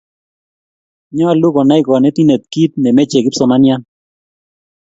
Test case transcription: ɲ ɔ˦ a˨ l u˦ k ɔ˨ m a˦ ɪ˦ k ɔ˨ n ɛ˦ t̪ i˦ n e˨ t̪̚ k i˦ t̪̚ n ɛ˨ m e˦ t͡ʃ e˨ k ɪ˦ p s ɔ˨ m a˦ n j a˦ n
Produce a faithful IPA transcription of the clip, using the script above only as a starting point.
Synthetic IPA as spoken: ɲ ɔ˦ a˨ l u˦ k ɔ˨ n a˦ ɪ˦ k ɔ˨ n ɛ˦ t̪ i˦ n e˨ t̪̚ k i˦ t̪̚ n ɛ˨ m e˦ t͡ʃ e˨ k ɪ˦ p s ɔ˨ m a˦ n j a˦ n

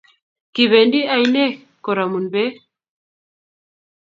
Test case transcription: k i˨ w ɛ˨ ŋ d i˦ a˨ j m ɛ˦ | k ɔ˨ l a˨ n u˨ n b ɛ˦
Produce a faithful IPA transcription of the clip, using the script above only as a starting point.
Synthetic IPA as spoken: k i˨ β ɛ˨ n d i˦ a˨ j n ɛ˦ | k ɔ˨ ɾ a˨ m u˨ n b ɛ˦

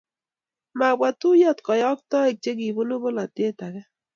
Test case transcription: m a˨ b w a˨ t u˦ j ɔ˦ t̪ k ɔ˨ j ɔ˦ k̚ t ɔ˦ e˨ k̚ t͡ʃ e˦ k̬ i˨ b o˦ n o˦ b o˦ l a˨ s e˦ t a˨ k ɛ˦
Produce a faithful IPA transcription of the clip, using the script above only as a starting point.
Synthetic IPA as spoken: m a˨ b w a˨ t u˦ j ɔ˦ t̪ k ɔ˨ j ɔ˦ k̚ t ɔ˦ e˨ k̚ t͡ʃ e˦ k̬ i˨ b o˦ n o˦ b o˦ l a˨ t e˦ t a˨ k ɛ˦

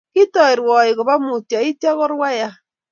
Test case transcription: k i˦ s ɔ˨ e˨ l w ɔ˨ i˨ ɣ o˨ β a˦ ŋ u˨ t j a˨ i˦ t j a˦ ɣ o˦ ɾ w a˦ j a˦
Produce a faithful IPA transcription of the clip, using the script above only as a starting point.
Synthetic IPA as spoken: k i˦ t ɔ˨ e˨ ɾ w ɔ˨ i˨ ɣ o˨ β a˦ m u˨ t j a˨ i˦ t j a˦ ɣ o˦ ɾ w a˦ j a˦

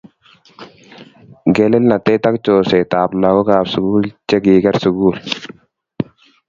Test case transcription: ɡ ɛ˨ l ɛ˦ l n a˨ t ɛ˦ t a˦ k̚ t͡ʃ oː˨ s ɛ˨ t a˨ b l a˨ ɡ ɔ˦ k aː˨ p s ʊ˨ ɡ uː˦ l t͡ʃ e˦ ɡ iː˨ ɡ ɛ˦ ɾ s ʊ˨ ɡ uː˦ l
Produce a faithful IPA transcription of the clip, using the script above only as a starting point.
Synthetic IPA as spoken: ɡ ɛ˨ l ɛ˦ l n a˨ t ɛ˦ t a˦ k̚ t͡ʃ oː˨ s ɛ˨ t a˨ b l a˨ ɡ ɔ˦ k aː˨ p s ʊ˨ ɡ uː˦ l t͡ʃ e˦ ɡ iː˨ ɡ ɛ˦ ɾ s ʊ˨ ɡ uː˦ l

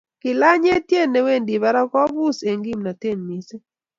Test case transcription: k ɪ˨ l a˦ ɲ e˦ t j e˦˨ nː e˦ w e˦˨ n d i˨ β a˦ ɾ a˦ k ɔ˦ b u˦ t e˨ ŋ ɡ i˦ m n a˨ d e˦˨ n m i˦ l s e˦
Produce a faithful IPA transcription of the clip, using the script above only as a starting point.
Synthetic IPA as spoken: k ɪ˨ l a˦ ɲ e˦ t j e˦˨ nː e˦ w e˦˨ n d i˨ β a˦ ɾ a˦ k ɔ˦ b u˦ s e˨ ŋ ɡ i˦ m n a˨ t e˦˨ n m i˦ s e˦

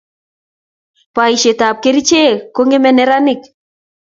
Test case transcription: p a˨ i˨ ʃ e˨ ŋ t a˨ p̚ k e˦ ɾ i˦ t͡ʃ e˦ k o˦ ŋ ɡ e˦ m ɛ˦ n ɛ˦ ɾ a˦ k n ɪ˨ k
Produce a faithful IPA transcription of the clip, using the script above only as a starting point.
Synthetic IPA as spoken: p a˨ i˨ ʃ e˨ t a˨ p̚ k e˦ ɾ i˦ t͡ʃ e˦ k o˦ ŋ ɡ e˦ m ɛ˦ n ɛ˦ ɾ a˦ n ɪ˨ k

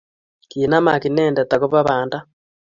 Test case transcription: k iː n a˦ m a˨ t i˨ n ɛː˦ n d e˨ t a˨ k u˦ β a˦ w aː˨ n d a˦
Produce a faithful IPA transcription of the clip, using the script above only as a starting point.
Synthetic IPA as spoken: k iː n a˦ m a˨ k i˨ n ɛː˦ n d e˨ t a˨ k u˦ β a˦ β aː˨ n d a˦

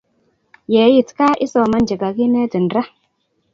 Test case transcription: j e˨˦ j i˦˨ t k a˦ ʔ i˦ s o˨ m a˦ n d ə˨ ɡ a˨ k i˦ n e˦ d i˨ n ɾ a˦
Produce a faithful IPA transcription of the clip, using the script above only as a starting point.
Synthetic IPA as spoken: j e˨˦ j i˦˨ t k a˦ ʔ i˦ s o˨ m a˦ n d͡ʒ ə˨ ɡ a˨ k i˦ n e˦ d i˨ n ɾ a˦

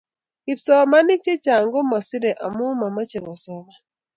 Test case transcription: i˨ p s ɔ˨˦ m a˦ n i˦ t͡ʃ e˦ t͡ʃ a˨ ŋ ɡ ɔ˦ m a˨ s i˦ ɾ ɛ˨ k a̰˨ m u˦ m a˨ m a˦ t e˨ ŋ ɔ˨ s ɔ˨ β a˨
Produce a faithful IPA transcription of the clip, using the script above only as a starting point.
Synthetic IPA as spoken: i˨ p s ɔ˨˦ m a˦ n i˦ t͡ʃ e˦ t͡ʃ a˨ ŋ ɡ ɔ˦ m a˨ s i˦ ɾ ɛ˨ ʔ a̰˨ m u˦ m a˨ m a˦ t͡ʃ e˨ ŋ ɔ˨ s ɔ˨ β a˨

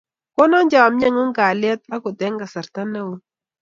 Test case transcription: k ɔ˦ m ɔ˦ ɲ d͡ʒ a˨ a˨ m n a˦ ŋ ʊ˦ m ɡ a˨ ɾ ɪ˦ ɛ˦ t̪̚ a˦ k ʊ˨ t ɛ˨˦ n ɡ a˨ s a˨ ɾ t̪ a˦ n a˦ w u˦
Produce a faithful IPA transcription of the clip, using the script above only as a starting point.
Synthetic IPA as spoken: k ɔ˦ n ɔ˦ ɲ d͡ʒ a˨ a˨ m ɲ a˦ ŋ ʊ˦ ŋ ɡ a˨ l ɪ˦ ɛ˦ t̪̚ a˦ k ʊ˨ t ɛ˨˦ ŋ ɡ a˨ s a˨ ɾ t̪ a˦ n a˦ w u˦

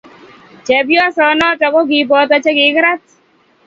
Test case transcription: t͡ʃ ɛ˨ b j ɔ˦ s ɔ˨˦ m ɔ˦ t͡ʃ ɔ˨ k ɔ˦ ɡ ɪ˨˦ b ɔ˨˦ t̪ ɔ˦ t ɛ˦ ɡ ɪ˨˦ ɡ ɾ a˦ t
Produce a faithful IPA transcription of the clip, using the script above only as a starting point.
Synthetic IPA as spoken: t͡ʃ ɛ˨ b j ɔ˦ s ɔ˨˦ n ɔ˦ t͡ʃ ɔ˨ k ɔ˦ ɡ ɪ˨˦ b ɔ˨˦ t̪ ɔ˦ t͡ʃ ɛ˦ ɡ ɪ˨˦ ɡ ɾ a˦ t

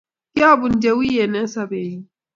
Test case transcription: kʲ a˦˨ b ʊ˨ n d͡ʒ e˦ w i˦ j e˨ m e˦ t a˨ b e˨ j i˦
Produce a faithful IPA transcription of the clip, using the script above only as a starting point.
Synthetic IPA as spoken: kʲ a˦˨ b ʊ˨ n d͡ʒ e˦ w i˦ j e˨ n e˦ s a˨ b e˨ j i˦

